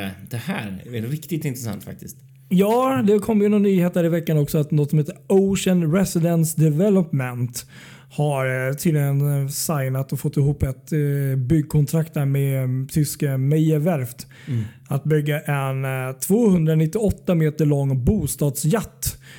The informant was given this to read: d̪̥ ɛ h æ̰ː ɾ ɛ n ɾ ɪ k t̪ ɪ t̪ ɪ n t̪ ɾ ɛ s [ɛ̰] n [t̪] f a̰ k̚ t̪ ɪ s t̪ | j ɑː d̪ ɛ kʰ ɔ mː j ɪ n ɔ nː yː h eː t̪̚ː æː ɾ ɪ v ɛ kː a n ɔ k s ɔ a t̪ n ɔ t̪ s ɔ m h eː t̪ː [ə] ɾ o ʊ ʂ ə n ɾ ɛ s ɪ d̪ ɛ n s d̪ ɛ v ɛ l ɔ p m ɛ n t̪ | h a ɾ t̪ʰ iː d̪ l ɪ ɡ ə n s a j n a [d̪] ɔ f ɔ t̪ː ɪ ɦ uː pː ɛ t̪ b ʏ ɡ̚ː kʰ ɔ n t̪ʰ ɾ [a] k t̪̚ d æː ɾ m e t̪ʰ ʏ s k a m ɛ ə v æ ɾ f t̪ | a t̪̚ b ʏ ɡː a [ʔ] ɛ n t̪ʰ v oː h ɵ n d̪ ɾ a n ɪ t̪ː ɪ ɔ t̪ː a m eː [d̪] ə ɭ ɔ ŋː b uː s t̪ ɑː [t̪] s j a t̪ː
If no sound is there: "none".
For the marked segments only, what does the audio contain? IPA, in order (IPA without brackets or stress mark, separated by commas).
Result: a̰, t̪, ə, t̪, a, ʔ, t̪, d̪